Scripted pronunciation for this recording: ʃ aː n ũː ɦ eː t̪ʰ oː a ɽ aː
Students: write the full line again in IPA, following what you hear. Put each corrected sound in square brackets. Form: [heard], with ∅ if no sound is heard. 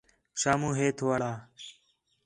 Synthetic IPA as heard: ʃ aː [m] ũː ɦ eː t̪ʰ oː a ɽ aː

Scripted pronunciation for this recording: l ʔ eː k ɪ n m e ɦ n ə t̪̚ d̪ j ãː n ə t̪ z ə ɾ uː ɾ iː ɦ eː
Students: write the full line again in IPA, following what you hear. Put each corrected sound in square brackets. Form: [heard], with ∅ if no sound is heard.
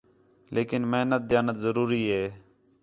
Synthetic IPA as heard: l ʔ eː k ɪ n m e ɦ n ə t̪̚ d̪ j [aː] n ə t̪ z ə ɾ uː ɾ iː ɦ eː

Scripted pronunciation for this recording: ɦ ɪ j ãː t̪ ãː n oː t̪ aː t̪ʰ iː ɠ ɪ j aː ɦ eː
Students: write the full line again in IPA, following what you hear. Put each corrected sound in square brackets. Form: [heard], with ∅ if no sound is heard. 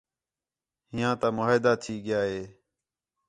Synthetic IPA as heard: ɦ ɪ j ãː t̪ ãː [m] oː [d̪] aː t̪ʰ iː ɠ ɪ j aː ɦ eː

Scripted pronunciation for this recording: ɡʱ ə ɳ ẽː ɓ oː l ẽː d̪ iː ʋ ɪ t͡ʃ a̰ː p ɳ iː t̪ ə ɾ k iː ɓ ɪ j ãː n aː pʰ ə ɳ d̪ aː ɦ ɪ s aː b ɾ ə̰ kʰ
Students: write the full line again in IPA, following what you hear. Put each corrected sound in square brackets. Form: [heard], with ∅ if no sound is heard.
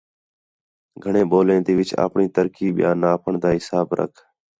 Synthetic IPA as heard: ɡʱ ə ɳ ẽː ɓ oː l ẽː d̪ iː ʋ ɪ t͡ʃ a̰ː p ɳ iː t̪ ə ɾ k iː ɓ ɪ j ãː n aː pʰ ə ɳ d̪ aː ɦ ɪ s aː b ɾ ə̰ kʰ

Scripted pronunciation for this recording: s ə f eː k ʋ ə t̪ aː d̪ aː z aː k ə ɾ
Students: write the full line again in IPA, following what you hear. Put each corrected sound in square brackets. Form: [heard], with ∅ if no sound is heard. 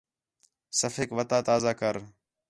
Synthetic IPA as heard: s ə f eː k ʋ ə t̪ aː [t̪] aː z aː k ə ɾ

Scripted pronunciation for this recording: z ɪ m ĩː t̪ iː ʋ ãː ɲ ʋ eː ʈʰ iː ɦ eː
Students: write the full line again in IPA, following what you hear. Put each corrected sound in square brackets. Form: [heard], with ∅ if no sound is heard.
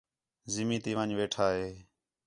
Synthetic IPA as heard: z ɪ m [iː] t̪ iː ʋ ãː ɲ ʋ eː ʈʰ [aː] ɦ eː

